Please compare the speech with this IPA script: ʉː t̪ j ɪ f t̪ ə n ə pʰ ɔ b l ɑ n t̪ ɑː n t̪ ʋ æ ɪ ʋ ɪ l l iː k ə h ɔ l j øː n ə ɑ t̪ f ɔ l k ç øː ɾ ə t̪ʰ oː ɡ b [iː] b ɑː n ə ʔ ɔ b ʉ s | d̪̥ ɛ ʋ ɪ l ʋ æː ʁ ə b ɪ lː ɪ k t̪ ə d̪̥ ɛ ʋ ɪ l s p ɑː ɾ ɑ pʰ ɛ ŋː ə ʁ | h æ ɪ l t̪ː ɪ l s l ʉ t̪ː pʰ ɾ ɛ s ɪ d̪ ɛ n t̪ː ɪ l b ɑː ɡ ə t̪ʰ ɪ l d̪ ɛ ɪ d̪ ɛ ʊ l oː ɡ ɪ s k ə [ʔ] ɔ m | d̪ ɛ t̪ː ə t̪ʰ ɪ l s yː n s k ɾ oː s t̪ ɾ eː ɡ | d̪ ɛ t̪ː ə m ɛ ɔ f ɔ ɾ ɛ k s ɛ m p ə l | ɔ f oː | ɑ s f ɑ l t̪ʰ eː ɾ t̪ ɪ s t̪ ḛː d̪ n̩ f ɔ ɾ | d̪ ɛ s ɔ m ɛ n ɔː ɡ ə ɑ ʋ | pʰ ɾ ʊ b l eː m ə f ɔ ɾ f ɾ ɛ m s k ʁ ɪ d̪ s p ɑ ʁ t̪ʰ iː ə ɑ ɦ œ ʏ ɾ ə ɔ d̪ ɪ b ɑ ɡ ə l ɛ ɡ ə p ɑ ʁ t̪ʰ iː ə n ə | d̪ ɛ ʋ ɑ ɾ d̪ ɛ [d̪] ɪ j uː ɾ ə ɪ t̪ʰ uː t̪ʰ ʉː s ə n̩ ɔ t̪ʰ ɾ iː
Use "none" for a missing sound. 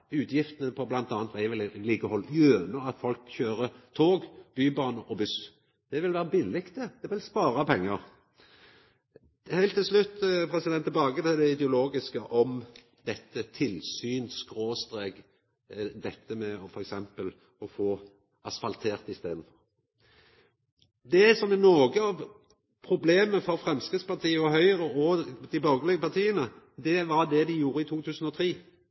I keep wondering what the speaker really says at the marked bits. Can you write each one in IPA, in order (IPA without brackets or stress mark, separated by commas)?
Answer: yː, ʔ, d̪